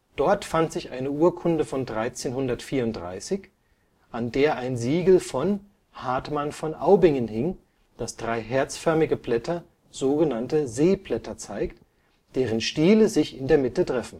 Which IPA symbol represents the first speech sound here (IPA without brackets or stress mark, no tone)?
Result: d̥